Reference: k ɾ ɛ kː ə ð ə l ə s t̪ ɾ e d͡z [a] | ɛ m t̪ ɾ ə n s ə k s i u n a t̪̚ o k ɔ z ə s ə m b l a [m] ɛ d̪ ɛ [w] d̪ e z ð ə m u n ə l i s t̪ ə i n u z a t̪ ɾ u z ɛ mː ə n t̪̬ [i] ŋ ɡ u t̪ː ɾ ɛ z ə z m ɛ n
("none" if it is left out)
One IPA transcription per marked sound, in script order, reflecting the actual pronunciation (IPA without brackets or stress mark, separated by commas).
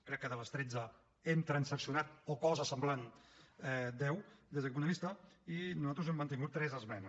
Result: ə, n, w, i